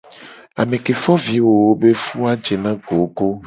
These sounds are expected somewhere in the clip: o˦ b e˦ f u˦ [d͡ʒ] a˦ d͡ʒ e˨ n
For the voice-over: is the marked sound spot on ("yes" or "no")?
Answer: no